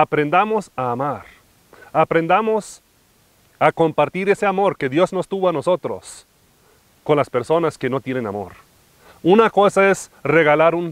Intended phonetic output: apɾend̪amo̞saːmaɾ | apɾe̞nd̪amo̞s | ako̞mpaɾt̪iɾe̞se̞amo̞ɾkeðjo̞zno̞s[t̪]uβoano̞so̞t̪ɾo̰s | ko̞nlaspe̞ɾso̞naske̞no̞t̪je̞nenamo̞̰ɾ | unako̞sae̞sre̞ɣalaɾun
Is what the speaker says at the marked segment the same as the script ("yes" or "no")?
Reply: yes